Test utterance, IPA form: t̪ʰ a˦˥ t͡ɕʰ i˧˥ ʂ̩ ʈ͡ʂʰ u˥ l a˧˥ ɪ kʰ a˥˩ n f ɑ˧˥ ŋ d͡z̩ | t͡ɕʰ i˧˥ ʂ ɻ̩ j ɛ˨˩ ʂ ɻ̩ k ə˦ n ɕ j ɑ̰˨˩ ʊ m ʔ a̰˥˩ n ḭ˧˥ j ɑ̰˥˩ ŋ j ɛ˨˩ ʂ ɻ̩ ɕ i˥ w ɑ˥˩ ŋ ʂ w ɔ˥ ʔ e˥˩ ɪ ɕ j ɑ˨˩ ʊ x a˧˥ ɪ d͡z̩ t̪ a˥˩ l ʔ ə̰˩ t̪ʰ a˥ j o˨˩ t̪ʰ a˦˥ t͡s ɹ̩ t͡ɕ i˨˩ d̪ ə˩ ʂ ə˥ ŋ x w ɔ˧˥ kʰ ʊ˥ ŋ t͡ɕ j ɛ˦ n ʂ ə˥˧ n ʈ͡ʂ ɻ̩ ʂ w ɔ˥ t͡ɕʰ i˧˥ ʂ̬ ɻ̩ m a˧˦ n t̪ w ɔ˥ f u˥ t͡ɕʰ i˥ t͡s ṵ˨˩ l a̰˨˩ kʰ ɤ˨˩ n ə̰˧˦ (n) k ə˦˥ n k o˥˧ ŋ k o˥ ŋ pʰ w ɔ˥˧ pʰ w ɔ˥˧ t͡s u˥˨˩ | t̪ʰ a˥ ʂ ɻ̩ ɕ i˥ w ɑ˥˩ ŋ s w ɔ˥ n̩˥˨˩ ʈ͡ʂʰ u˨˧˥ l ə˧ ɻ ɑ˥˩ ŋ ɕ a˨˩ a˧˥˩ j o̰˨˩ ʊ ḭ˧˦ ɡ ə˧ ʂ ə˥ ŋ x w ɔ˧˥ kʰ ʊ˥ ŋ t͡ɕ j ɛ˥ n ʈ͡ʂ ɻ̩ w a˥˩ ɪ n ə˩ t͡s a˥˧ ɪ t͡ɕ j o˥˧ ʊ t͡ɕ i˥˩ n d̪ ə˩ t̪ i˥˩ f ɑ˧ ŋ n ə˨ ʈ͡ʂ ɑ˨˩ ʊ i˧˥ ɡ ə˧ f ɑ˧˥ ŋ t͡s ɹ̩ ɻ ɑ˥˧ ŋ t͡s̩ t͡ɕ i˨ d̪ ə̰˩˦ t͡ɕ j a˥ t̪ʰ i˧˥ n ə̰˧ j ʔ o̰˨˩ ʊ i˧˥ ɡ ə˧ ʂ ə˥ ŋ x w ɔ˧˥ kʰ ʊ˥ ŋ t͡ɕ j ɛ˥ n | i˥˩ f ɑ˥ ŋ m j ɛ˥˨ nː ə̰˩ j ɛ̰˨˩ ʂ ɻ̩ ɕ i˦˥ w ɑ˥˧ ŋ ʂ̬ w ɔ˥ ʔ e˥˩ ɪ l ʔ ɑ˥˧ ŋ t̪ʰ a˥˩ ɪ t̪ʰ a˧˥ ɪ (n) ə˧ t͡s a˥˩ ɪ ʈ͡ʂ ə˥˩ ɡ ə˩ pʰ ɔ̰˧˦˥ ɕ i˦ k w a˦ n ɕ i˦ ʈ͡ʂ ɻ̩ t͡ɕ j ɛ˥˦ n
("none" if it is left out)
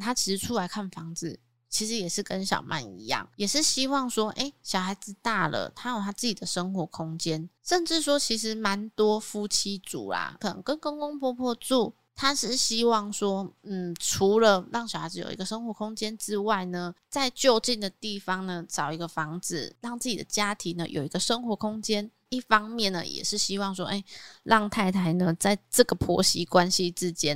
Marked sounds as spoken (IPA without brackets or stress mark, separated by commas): ŋ, n